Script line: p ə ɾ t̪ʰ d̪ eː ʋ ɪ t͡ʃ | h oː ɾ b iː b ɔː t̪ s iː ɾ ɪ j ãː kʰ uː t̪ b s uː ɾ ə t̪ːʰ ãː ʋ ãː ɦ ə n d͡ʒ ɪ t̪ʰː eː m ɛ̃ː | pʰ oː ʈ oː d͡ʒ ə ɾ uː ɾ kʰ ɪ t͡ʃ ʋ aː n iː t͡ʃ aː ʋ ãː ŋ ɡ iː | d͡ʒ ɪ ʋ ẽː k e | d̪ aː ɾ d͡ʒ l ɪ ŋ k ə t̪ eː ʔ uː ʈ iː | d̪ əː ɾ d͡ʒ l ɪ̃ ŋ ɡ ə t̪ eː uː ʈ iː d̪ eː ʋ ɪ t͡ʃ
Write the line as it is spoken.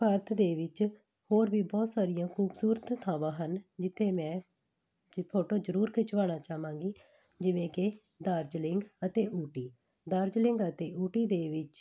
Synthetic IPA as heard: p ə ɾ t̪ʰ d̪ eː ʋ ɪ t͡ʃ | h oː ɾ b iː b ɔː t̪ s aː ɾ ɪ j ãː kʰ uː b s uː ɾ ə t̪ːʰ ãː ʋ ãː ɦ ə n d͡ʒ ɪ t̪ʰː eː m ɛ̃ː | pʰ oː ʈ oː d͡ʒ ə ɾ uː ɾ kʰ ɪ t͡ʃ ʋ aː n aː t͡ʃ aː ʋ ãː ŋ ɡ iː | d͡ʒ ɪ ʋ ẽː k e | d̪ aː ɾ d͡ʒ l ɪ ŋ ɡ ə t̪ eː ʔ uː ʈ iː | d̪ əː ɾ d͡ʒ l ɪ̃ ŋ ɡ ə t̪ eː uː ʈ iː d̪ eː ʋ ɪ t͡ʃ